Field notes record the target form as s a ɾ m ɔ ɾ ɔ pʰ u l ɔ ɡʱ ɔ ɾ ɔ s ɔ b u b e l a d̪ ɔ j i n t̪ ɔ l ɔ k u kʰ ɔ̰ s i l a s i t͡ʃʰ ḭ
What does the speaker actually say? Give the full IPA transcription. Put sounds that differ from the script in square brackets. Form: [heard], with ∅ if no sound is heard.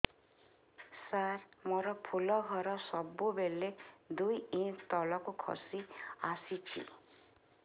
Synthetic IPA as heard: s a ɾ m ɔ ɾ ɔ pʰ u l ɔ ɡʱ ɔ ɾ ɔ s ɔ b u b e l [e] d̪ [u] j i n t̪ ɔ l ɔ k u kʰ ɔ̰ s i [∅] a s i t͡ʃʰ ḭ